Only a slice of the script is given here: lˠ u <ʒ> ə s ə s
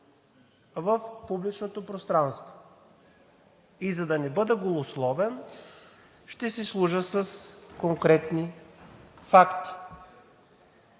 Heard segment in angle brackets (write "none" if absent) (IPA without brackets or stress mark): ʒ